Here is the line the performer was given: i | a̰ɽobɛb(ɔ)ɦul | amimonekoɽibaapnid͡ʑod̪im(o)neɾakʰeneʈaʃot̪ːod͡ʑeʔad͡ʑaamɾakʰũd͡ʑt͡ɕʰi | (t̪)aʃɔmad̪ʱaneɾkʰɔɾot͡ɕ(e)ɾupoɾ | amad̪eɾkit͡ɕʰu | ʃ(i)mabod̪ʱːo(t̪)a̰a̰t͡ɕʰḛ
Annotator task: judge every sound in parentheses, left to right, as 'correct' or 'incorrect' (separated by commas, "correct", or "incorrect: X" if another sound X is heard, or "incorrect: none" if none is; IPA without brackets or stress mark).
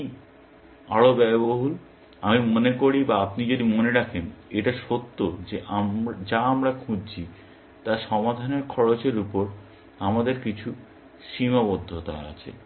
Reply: incorrect: o, correct, correct, correct, correct, correct